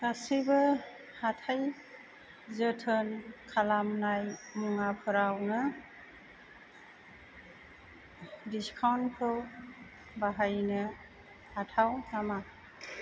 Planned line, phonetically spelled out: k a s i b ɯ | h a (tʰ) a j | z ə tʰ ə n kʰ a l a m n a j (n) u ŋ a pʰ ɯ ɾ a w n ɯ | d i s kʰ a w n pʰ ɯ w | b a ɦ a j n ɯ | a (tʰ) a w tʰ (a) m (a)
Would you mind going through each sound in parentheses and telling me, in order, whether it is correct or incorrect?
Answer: correct, incorrect: m, correct, correct, correct

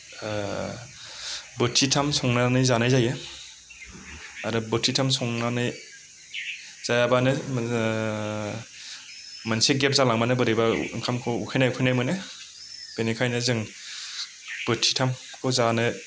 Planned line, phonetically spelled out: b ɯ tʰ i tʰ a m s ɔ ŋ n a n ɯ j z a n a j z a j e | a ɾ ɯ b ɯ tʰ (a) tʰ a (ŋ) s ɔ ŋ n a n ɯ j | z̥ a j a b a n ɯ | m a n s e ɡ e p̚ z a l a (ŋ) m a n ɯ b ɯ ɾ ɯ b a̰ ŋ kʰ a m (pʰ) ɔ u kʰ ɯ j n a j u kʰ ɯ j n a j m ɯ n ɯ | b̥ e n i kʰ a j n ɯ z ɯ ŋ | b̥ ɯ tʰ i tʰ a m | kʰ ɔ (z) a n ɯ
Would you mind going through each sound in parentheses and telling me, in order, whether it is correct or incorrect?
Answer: incorrect: i, incorrect: m, correct, incorrect: kʰ, correct

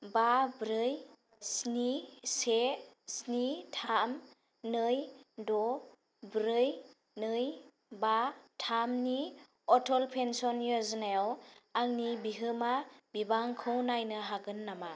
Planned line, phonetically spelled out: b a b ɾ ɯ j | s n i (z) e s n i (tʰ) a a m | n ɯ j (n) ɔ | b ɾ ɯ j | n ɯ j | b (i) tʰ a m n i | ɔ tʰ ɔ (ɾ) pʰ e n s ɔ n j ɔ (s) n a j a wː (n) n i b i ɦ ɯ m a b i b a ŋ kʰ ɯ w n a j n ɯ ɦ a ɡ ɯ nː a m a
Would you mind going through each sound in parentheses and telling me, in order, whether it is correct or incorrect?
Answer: incorrect: s, correct, incorrect: d, incorrect: a, incorrect: l, incorrect: z, incorrect: ŋ

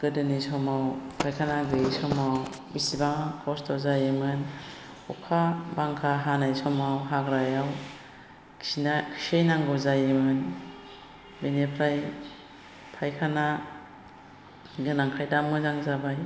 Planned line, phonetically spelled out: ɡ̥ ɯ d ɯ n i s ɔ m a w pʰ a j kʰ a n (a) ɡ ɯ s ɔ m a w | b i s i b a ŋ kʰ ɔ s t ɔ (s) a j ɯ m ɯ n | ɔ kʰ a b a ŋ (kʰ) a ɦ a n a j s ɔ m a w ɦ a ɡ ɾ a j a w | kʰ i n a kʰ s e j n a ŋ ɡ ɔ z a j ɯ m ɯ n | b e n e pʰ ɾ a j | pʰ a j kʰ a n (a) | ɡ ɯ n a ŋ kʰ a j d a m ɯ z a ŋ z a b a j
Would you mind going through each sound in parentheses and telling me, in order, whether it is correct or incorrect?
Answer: correct, incorrect: z, correct, correct

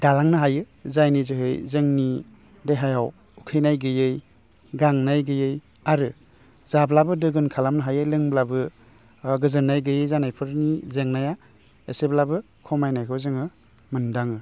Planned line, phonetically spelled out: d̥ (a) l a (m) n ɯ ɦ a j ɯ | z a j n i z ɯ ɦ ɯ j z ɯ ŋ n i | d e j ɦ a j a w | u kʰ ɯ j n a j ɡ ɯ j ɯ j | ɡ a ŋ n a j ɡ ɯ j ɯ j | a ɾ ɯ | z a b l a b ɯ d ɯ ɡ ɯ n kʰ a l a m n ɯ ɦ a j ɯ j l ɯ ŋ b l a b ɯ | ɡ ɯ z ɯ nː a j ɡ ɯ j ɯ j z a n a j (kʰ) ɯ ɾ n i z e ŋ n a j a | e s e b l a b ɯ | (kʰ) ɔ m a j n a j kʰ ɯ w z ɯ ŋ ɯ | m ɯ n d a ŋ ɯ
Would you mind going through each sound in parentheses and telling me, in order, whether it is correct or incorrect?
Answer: correct, incorrect: ŋ, incorrect: pʰ, correct

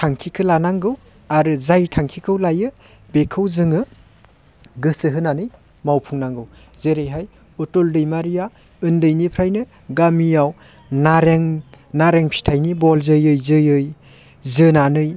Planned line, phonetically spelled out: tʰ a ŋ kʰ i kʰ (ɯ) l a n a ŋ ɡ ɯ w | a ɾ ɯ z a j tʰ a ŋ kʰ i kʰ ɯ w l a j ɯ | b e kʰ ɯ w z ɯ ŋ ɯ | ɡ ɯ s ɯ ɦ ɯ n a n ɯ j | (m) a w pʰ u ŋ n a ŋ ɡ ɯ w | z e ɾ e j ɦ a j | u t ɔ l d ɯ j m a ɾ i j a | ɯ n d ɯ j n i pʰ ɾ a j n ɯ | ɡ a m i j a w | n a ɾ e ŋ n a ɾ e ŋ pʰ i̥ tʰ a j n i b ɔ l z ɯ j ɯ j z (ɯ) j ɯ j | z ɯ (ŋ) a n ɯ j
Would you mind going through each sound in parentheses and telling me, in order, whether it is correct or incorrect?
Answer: correct, correct, correct, incorrect: n

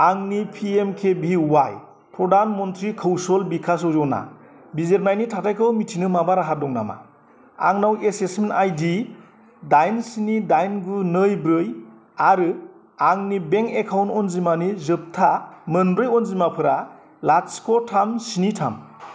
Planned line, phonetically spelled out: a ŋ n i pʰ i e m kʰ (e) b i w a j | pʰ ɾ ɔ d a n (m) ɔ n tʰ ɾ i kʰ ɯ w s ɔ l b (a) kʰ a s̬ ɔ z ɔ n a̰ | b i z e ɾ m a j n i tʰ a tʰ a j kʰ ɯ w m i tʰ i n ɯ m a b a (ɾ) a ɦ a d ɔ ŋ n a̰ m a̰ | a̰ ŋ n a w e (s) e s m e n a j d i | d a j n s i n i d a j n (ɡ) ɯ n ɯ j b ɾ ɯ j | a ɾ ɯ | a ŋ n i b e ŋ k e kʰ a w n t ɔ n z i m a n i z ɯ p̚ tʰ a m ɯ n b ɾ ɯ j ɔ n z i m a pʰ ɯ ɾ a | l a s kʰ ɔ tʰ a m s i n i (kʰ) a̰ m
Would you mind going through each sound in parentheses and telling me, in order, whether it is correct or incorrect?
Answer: correct, correct, incorrect: i, correct, correct, correct, incorrect: tʰ

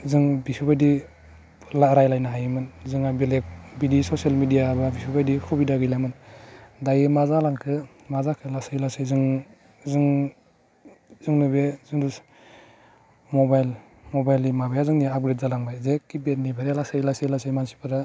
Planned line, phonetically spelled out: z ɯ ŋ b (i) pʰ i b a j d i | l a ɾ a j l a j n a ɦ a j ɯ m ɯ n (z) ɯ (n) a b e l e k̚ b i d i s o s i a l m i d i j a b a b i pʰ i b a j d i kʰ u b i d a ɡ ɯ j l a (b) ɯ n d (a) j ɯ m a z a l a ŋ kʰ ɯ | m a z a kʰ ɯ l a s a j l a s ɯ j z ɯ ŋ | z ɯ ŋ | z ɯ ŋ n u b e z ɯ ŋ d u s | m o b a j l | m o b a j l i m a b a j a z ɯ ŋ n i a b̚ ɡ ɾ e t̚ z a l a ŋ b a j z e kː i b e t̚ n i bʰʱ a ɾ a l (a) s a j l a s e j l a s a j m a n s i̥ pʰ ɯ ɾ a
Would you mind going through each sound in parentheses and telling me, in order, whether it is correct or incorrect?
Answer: correct, correct, incorrect: ŋ, incorrect: m, correct, correct

